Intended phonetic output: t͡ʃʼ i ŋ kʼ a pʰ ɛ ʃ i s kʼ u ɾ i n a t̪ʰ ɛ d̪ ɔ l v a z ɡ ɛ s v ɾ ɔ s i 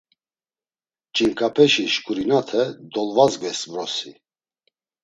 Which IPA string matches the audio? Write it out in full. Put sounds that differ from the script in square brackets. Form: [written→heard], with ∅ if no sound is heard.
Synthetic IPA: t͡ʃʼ i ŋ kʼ a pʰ ɛ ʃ i [s→ʃ] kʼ u ɾ i n a t̪ʰ ɛ d̪ ɔ l v a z ɡ ɛ s v ɾ ɔ s i